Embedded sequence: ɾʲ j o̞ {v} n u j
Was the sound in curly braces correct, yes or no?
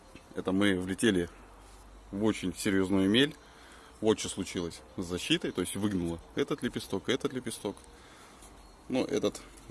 no